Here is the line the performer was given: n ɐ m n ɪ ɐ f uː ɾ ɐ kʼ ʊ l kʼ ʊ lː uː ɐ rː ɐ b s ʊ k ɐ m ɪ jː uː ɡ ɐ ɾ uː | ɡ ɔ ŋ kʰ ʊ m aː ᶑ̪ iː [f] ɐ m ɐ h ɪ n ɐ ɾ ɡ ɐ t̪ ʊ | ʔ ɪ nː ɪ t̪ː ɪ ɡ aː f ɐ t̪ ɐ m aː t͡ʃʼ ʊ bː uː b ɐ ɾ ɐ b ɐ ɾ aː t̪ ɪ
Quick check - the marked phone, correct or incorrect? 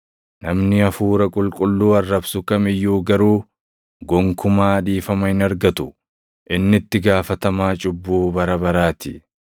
correct